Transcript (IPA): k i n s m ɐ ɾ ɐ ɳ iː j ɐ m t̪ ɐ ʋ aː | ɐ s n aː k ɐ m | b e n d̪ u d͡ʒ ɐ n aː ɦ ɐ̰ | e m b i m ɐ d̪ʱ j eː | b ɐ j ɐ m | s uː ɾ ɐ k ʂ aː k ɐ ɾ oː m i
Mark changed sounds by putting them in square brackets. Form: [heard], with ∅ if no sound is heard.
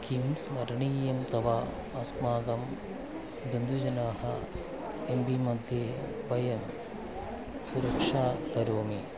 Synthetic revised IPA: k i [m] s m ɐ ɾ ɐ ɳ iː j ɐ m t̪ ɐ ʋ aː | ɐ s [m] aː [ɡ] ɐ m | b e n d̪ u d͡ʒ ɐ n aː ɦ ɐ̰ | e m b i m ɐ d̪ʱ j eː | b ɐ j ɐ m | s [u] ɾ ɐ k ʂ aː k ɐ ɾ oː m i